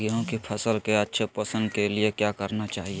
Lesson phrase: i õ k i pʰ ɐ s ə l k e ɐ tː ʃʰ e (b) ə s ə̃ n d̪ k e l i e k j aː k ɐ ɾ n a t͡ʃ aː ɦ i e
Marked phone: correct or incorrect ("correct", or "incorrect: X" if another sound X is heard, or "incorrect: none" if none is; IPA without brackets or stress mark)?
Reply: incorrect: p